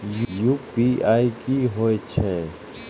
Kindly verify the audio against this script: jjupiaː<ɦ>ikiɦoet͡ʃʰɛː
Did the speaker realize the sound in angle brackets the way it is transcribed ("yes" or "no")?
no